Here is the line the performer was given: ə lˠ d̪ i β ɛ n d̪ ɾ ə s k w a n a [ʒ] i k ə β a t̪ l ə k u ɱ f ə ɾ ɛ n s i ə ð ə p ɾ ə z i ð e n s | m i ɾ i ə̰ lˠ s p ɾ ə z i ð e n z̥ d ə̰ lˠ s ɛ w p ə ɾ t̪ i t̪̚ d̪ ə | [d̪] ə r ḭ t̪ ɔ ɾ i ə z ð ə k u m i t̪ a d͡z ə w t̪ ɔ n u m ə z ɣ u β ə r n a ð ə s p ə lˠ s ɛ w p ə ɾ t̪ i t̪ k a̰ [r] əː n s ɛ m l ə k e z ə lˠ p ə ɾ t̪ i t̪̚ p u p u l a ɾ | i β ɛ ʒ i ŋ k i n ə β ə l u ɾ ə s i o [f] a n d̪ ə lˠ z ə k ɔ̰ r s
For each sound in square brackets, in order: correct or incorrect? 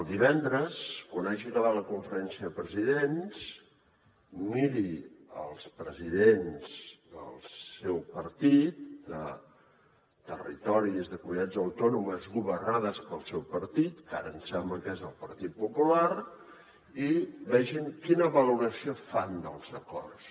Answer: correct, incorrect, incorrect, correct

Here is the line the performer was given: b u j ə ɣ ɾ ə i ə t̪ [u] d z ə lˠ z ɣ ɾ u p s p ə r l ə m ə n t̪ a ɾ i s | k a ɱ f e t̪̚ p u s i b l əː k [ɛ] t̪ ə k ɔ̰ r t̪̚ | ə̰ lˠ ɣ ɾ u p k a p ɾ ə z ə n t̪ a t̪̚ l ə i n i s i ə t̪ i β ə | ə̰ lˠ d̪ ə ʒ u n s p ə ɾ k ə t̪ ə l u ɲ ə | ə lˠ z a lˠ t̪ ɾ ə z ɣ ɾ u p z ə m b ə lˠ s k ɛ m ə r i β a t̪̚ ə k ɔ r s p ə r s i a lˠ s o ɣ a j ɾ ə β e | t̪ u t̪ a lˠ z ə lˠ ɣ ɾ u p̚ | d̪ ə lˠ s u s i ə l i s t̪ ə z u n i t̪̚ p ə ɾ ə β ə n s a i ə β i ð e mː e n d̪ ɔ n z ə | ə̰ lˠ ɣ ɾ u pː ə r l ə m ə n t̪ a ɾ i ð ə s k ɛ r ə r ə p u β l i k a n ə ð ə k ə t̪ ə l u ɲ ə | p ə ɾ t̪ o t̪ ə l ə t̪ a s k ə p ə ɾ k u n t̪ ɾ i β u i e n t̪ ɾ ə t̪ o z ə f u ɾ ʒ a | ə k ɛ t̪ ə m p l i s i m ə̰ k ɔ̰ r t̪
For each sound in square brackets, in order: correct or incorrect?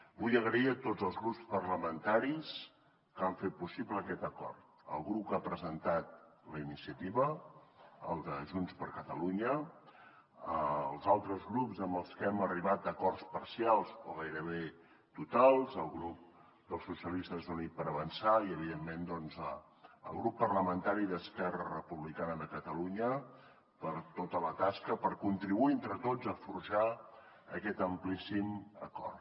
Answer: incorrect, correct

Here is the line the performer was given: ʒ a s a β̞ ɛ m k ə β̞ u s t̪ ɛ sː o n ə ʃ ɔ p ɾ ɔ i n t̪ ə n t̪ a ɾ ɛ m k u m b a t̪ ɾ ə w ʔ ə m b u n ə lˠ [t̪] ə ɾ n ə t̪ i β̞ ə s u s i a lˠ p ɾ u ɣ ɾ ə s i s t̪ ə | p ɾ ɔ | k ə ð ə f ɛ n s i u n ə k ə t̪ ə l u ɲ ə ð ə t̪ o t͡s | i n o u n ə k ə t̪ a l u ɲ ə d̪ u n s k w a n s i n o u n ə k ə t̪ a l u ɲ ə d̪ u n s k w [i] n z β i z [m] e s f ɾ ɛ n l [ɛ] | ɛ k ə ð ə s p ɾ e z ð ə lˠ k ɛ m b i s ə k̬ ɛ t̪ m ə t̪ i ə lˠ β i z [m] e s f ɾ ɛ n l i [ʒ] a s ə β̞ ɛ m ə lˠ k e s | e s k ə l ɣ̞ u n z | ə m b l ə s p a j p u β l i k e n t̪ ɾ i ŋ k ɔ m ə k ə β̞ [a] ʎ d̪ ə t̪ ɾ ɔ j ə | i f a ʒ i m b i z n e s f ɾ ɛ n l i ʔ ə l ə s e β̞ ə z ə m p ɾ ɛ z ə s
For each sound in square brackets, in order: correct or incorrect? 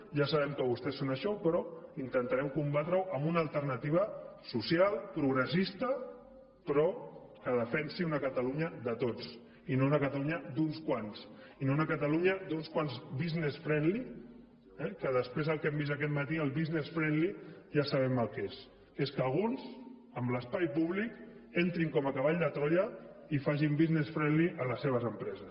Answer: correct, incorrect, incorrect, incorrect, incorrect, correct, correct

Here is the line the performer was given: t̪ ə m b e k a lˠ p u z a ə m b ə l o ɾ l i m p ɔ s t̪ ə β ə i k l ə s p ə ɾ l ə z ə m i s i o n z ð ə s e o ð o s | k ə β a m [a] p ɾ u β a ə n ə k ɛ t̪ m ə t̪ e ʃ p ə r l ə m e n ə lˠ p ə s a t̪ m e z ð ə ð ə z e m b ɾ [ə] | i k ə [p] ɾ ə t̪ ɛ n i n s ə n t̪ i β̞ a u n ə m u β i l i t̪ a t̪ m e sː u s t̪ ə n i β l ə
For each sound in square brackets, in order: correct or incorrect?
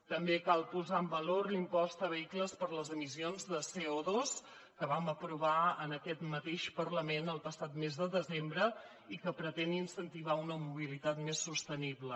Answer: incorrect, correct, correct

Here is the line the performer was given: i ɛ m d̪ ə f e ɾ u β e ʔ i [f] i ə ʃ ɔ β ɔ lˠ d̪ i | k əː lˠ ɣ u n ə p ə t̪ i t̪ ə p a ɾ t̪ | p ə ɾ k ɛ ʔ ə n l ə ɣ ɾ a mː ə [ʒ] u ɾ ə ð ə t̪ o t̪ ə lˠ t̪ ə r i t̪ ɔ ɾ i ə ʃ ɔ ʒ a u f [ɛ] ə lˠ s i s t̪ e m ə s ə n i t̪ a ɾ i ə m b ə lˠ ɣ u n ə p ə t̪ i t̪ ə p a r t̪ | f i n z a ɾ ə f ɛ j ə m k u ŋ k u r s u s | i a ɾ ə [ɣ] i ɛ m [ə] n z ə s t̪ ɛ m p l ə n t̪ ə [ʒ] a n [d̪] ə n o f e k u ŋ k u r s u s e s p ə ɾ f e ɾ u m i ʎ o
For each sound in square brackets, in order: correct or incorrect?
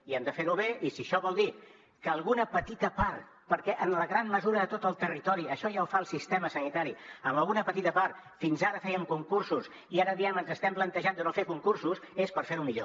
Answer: incorrect, incorrect, incorrect, incorrect, correct, correct, correct

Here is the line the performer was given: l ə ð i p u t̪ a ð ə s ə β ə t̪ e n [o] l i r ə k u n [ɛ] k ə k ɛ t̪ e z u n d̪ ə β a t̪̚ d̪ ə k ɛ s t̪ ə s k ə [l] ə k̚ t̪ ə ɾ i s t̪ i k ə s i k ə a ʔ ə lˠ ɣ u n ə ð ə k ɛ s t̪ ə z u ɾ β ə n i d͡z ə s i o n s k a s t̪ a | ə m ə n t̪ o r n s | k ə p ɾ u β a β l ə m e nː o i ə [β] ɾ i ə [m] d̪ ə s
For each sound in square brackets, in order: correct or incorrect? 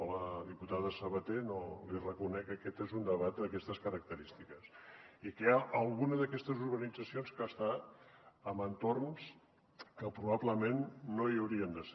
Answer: correct, correct, incorrect, incorrect, incorrect

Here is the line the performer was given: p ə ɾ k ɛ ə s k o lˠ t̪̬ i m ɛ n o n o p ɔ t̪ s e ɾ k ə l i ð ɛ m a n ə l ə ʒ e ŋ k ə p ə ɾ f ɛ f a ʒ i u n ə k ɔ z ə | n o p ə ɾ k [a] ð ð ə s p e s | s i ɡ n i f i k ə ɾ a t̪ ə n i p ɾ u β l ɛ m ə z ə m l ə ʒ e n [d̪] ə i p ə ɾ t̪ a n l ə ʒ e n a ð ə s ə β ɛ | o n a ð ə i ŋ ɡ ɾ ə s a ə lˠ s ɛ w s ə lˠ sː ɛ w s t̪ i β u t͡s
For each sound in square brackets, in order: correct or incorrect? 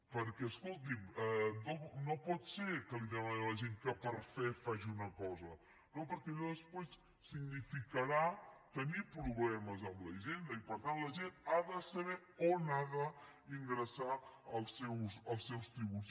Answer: incorrect, correct

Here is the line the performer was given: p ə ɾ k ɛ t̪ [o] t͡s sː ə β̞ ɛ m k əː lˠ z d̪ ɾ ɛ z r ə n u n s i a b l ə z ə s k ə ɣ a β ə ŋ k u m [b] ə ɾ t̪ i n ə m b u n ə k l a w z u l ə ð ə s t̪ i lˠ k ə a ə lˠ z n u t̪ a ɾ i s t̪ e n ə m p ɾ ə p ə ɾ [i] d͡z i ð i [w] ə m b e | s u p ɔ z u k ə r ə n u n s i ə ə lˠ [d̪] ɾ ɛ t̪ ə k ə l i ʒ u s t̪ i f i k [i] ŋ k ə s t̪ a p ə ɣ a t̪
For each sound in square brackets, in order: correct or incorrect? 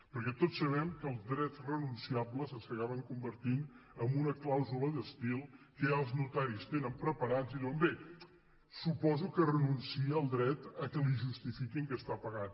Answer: correct, correct, incorrect, correct, correct, correct

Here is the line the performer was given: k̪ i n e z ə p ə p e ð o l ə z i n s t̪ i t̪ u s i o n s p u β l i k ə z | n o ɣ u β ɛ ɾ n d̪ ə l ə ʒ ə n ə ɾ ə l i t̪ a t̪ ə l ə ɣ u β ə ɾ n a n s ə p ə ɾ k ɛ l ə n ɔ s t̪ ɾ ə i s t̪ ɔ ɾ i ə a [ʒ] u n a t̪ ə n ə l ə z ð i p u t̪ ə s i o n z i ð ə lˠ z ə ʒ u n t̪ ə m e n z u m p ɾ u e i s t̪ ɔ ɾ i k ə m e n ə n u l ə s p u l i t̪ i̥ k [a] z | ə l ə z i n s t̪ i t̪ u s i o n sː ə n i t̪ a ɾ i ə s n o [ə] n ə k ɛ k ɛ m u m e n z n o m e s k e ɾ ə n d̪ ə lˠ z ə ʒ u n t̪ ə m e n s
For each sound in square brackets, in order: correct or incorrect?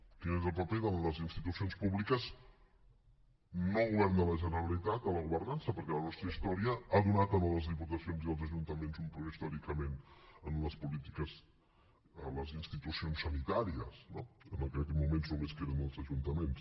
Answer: incorrect, incorrect, correct

